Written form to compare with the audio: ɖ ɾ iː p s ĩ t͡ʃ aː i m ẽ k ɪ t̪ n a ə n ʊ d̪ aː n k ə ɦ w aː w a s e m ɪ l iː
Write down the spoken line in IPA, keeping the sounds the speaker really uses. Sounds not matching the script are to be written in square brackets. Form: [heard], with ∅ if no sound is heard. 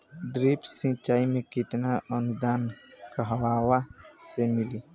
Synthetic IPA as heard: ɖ ɾ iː p s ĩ t͡ʃ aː i m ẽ k ɪ t̪ n a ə n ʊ d̪ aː n k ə ɦ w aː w a s e m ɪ l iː